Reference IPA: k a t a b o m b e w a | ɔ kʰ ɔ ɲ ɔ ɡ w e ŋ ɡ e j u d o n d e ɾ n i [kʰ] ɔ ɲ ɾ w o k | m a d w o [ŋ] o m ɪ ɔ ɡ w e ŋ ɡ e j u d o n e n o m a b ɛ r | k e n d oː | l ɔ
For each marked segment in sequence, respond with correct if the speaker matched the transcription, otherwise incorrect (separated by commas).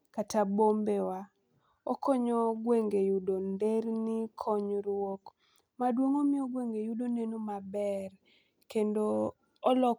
correct, correct